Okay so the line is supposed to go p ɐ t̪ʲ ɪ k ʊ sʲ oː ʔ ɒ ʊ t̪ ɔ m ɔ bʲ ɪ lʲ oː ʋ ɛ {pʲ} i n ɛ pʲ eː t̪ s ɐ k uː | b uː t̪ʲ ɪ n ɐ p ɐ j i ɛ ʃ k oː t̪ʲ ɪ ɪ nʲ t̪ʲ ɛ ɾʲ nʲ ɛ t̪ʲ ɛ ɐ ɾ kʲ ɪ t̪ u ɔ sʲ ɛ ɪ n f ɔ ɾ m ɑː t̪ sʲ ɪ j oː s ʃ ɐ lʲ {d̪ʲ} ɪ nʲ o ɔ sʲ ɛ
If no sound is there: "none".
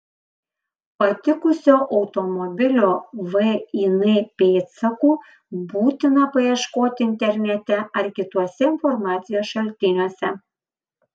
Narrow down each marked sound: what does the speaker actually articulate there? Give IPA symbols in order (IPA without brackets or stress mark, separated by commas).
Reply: none, t̪ʲ